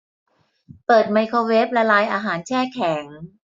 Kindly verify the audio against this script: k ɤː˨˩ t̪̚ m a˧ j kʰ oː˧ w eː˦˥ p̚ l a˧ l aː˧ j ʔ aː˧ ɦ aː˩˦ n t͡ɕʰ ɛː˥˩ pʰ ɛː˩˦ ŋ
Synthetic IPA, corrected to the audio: p ɤː˨˩ t̪̚ m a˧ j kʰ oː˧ w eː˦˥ p̚ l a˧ l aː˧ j ʔ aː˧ ɦ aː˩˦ n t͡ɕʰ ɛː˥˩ kʰ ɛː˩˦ ŋ